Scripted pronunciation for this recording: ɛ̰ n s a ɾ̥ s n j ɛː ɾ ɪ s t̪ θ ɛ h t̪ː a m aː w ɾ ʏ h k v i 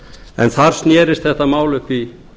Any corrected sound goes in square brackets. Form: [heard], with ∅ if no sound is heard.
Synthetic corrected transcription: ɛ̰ n [θ] a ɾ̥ s n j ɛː ɾ ɪ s t̪ θ ɛ h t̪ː a m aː w [l] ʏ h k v i

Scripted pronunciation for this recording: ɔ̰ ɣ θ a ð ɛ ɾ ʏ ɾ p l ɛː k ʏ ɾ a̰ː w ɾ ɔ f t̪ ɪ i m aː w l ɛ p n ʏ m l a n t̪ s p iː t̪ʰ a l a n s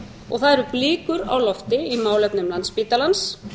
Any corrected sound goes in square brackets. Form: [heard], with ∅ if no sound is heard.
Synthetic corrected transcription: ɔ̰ ɣ θ a ð ɛ ɾ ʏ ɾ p l [iː] k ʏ ɾ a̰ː w [l] ɔ f t̪ ɪ i m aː w l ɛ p n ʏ m l a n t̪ s p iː [t̪] a l a n s

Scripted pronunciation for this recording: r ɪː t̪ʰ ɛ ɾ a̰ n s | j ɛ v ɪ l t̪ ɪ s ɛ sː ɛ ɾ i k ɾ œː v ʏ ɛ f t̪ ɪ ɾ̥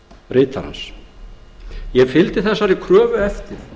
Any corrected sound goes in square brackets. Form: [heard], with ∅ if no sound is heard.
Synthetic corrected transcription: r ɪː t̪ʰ [a] ɾ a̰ n s | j ɛ [f] ɪ l t̪ ɪ [θ] ɛ sː [a] ɾ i [kʰ] ɾ œː v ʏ ɛ f t̪ ɪ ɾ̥

